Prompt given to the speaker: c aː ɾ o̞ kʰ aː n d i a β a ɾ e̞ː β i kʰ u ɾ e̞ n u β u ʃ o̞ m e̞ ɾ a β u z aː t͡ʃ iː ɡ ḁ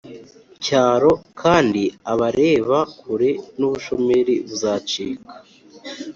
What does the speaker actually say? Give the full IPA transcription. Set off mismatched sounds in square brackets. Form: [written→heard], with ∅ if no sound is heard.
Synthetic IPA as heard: c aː ɾ o̞ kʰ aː n d i a β a ɾ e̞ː β [i→a] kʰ u ɾ e̞ n u β u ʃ o̞ m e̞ ɾ [a→i] β u z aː t͡ʃ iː [ɡ→k] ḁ